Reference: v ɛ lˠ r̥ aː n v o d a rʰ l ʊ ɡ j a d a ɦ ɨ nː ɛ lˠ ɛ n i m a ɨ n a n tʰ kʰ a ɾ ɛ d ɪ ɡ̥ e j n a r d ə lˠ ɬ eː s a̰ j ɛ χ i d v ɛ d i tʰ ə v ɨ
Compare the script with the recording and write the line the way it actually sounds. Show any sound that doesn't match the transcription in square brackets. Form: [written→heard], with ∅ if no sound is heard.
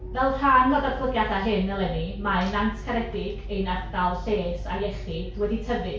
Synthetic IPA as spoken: v ɛ lˠ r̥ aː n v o d a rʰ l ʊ ɡ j a d a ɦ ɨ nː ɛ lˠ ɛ n i m a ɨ n a n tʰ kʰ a ɾ ɛ d ɪ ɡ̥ e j n a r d [ə→a] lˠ ɬ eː s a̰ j ɛ χ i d [v→w] ɛ d i tʰ ə v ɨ